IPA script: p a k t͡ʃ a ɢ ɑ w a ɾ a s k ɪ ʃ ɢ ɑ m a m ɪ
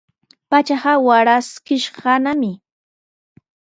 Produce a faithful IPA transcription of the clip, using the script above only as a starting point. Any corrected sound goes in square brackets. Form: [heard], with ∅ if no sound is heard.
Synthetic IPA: p a [∅] t͡ʃ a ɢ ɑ w a ɾ a s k ɪ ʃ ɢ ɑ [n] a m ɪ